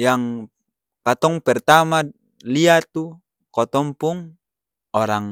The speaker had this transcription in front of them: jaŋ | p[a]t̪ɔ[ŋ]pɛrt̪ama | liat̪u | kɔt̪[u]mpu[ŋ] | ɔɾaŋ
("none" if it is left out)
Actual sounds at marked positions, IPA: a, ŋ, ɔ, ŋ

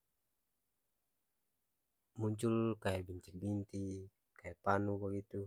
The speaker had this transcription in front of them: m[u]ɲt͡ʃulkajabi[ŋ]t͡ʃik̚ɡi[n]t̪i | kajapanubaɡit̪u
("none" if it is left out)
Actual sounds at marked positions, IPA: u, ɲ, n

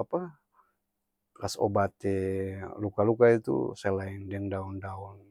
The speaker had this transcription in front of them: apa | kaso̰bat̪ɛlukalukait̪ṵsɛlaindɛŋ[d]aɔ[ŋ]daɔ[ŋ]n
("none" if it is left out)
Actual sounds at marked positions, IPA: d, n, none

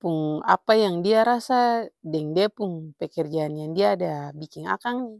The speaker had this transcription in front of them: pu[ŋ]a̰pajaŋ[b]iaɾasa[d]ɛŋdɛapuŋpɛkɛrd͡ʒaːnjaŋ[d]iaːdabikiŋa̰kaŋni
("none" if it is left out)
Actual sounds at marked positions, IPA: ŋ, d, d, d

